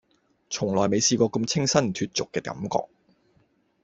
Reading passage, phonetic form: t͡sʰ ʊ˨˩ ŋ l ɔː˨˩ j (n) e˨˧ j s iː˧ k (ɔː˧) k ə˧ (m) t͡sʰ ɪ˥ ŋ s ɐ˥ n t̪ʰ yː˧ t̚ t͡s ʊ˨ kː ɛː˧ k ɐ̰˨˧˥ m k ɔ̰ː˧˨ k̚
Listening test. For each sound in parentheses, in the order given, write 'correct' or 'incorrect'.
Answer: incorrect: m, correct, correct

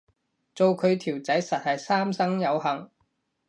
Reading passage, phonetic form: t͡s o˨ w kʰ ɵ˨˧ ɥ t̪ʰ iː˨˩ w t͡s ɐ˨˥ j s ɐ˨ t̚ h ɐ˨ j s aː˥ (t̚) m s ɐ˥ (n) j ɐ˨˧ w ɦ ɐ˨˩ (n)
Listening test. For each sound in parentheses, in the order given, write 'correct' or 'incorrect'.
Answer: incorrect: none, incorrect: ŋ, incorrect: ŋ

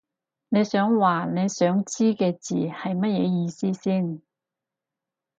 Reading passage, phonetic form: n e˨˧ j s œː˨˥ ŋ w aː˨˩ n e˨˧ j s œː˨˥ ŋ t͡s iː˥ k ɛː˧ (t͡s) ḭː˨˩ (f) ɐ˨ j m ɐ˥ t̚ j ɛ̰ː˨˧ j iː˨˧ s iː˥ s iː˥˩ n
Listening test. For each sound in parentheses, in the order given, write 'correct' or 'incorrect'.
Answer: correct, incorrect: h

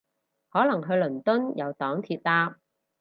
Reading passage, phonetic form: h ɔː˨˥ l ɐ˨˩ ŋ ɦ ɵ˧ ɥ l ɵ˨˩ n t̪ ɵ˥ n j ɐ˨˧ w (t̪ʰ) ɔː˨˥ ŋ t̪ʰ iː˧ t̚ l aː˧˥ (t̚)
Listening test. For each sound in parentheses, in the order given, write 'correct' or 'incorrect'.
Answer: incorrect: t̪, incorrect: p̚

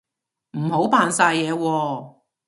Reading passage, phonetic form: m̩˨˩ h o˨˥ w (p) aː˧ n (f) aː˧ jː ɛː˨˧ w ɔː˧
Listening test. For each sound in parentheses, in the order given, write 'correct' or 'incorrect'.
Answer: correct, incorrect: s

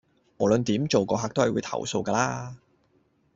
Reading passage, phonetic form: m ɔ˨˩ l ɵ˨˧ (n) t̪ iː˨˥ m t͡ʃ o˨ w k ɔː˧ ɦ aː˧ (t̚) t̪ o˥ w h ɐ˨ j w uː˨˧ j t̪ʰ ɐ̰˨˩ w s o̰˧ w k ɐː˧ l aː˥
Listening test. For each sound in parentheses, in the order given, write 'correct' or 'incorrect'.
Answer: correct, incorrect: k̚

